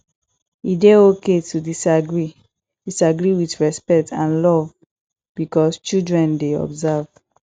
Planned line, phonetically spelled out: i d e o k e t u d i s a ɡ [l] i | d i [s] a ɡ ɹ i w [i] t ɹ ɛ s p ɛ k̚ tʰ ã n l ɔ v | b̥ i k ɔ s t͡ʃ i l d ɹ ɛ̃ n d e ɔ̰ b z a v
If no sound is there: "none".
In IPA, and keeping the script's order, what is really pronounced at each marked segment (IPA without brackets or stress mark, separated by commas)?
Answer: ɹ, s, i